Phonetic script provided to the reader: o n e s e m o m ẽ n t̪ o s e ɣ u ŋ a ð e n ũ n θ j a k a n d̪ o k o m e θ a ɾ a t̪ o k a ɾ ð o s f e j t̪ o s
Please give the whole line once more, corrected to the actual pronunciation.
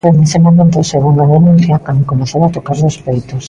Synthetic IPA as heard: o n e s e m o m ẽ n t̪ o s e ɣ u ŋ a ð e n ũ n θ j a k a n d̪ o k o m e θ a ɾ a t̪ o k a ɾ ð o s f e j t̪ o s